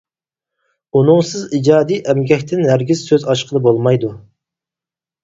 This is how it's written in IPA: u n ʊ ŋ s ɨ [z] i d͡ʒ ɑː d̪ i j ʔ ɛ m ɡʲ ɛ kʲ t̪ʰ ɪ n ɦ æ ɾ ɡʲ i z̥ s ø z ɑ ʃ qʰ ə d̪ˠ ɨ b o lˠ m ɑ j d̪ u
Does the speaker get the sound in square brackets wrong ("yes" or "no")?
no